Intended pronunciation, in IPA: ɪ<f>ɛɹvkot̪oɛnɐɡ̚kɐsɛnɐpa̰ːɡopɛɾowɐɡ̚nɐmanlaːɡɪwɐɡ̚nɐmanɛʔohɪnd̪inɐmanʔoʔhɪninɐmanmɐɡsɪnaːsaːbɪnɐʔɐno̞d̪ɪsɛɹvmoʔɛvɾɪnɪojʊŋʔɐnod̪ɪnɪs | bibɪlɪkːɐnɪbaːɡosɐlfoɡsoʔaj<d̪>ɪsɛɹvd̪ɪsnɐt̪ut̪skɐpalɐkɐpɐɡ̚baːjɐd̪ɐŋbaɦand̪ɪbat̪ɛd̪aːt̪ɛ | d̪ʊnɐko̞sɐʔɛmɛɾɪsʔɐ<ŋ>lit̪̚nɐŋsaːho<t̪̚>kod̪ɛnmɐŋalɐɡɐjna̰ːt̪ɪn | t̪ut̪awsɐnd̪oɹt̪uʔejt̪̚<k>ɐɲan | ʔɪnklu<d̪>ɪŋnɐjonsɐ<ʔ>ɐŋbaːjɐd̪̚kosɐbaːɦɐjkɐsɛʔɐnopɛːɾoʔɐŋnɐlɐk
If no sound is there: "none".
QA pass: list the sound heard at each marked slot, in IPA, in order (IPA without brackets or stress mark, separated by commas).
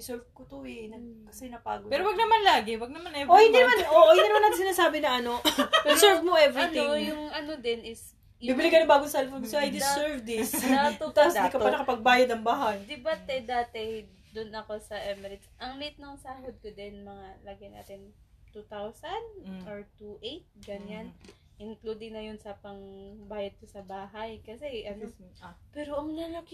s, d̪, ŋ, d̪̚, ɡ, d̪, p